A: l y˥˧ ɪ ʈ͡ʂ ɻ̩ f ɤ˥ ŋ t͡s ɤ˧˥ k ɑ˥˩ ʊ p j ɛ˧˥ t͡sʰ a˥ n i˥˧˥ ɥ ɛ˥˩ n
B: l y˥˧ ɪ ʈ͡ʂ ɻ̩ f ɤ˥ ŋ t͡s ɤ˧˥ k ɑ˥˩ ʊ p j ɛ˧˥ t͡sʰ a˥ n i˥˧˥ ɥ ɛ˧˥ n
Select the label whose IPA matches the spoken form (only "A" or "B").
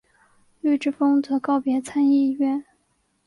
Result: A